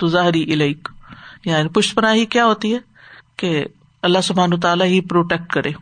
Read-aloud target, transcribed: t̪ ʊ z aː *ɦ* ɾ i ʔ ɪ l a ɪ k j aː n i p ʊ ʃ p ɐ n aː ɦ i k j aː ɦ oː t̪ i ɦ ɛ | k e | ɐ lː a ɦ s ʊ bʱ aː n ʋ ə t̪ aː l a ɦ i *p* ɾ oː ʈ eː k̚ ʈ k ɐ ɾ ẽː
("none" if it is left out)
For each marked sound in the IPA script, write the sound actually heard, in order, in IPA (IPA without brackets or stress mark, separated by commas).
ɦ, p